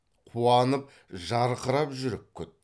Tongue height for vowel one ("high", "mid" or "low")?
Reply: high